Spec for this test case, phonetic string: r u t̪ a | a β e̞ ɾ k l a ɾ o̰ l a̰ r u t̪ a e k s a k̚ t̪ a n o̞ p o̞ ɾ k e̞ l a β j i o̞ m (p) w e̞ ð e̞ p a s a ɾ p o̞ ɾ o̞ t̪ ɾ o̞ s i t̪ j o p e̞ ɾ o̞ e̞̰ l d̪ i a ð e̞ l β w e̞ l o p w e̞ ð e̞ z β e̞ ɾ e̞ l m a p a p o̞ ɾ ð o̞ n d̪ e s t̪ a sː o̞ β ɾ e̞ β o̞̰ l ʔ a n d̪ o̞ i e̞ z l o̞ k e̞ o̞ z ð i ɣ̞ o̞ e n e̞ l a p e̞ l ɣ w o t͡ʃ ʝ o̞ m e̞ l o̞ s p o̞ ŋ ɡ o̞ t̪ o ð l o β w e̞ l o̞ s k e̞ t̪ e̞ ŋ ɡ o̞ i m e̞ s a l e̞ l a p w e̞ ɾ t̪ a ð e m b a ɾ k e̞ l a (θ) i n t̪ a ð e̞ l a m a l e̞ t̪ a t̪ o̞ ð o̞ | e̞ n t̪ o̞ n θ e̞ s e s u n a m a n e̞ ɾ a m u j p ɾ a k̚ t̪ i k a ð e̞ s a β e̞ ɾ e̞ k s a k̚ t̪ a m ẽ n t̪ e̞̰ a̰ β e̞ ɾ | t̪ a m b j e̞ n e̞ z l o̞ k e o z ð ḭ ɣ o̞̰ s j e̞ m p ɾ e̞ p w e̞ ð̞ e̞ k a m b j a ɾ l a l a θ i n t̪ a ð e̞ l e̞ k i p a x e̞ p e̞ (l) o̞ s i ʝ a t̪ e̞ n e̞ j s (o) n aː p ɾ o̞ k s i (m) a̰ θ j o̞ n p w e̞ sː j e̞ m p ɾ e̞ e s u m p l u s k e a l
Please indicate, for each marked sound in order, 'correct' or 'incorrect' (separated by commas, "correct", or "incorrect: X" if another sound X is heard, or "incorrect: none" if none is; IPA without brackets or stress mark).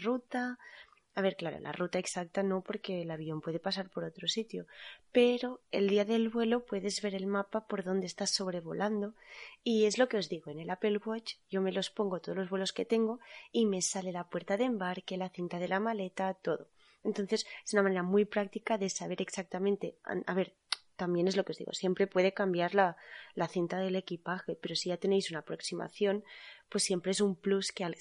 correct, correct, incorrect: ɾ, incorrect: u, correct